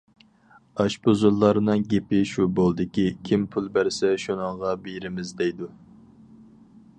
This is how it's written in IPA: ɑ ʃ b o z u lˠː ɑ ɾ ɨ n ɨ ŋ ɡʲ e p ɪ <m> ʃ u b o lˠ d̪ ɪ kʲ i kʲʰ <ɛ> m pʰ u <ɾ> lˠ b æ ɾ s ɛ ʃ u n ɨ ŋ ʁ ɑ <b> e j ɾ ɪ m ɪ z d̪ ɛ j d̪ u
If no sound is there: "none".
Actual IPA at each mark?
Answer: none, i, none, b

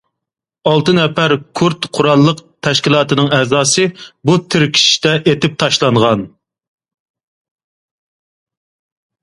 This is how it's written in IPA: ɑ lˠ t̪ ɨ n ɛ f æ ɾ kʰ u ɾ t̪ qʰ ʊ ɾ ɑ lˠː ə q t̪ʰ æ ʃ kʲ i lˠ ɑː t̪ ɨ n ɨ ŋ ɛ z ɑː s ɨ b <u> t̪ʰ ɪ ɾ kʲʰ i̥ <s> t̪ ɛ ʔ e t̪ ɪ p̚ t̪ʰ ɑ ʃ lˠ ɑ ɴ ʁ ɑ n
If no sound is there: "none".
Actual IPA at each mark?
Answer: u, ʃ

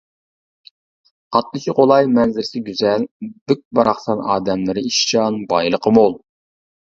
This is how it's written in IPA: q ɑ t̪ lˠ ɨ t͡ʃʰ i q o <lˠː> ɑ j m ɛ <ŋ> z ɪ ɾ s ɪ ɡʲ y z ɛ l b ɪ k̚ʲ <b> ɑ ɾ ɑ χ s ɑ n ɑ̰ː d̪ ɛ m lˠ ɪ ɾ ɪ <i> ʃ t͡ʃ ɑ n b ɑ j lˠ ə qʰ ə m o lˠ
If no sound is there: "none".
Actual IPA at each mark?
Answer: lˠ, n, b, i

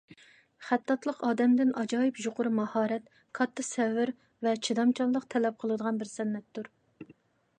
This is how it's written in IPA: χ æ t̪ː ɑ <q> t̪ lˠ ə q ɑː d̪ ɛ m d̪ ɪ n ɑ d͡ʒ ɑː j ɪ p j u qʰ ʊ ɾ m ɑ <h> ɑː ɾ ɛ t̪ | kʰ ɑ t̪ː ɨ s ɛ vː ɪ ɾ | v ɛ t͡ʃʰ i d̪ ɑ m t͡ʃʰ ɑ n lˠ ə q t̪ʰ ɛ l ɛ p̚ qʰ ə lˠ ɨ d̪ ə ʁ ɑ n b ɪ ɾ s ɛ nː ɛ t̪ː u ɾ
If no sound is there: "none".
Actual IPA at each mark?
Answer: none, h

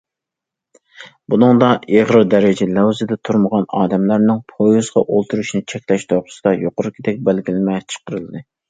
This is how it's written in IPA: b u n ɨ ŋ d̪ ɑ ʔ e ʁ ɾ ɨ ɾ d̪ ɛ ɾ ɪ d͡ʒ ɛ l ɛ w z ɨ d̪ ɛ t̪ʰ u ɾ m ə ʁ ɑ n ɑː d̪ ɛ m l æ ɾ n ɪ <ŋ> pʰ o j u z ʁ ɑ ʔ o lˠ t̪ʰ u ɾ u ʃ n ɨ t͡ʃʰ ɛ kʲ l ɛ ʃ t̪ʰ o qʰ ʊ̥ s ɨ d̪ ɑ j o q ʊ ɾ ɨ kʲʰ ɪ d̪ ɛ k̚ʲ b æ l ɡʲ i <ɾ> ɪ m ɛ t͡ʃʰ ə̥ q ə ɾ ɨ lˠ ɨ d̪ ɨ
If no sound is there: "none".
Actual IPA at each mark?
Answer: ŋ, l

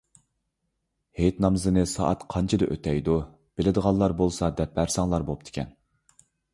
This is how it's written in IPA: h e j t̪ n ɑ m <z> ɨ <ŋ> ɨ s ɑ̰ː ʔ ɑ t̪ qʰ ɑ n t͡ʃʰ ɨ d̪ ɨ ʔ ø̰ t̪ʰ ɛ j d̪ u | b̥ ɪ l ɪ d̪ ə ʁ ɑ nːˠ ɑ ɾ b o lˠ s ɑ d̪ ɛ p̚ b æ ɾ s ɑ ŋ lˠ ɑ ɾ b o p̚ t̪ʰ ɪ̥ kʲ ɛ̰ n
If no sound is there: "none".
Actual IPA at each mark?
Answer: z, n

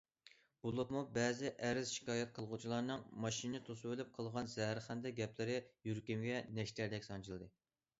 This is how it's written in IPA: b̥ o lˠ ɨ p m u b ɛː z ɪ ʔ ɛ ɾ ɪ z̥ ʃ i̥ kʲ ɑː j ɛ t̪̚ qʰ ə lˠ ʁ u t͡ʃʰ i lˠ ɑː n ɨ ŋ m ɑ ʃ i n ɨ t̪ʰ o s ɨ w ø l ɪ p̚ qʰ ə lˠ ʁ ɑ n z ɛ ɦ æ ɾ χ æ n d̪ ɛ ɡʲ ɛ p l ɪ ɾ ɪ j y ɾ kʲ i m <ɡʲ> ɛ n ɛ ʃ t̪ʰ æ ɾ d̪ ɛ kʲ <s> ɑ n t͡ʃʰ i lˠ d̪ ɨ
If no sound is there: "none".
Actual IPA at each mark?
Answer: ɡʲ, s

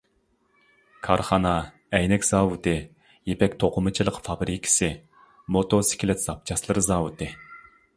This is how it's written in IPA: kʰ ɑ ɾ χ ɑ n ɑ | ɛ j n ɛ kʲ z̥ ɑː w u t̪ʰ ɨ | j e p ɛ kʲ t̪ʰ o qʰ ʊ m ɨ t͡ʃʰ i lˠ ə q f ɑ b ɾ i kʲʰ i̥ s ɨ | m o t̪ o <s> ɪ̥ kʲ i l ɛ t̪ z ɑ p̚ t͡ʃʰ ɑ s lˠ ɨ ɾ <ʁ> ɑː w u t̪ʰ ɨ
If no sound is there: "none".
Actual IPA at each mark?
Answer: s, z

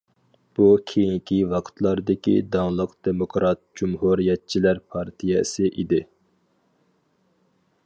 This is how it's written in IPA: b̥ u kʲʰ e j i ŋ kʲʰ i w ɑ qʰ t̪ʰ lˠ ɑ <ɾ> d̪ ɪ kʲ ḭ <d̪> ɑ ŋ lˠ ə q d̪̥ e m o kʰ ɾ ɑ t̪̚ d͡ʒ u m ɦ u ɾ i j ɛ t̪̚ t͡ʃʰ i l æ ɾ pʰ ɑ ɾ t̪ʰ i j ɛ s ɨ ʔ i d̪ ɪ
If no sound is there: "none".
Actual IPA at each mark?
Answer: ɾ, d̪

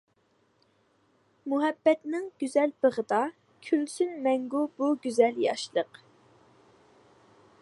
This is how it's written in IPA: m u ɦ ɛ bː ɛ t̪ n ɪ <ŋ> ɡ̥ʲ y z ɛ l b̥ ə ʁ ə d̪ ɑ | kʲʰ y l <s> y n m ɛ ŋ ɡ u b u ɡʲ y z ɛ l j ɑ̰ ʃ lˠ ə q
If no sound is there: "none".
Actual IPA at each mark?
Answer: ŋ, s

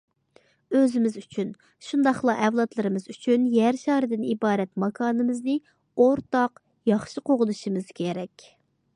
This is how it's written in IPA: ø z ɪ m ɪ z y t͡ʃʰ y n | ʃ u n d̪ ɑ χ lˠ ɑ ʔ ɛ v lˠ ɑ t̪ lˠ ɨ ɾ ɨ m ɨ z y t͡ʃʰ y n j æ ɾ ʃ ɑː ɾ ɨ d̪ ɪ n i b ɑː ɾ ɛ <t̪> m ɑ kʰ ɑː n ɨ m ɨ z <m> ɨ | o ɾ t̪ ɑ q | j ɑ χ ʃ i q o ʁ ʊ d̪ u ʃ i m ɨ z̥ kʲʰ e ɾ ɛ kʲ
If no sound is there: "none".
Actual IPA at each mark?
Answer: t̪, n

